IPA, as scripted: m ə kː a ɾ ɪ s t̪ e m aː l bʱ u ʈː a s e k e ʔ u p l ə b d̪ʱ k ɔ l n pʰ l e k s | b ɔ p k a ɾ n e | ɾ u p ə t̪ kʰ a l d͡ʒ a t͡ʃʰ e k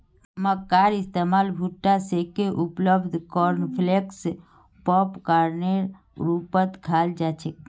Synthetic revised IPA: m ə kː a ɾ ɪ s t̪ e m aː l bʱ u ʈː a s e k e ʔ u p l ə b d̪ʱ k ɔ ɾ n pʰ l e k s | p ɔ p k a ɾ n e | ɾ u p ə t̪ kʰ a l d͡ʒ a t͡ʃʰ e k